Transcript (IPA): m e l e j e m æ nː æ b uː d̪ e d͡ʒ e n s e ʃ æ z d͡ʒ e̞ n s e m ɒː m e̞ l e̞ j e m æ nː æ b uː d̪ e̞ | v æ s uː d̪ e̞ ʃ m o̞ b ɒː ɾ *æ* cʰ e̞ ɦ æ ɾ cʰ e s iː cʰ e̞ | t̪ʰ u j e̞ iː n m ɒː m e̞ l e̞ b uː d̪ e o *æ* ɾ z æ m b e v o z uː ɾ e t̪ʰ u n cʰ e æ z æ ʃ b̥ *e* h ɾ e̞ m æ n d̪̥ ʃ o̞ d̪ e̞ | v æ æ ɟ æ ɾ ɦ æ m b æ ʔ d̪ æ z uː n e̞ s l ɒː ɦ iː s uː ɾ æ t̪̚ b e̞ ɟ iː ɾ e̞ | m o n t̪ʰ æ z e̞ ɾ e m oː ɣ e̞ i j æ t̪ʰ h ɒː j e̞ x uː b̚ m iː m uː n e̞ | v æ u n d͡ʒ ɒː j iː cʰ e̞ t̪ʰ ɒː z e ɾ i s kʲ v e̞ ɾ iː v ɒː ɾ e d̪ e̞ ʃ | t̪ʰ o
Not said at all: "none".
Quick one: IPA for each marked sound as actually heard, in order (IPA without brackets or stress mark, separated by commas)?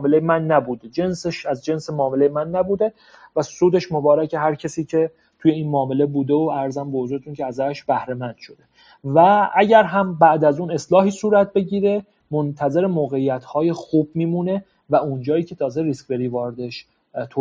æ, æ, æ